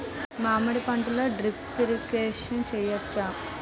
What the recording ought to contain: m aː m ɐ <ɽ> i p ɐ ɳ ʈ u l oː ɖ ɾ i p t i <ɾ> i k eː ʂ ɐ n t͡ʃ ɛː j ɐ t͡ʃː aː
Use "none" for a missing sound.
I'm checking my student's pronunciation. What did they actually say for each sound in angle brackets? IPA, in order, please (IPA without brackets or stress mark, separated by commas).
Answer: ɽ, ɾ